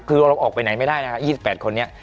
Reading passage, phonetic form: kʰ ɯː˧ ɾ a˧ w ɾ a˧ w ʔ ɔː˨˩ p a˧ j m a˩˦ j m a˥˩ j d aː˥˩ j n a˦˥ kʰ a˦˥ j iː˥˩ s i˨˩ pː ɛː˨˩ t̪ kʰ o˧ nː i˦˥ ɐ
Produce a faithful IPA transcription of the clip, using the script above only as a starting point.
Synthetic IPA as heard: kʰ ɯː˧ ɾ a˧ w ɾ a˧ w ʔ ɔː˨˩ p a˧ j n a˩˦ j m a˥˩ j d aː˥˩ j n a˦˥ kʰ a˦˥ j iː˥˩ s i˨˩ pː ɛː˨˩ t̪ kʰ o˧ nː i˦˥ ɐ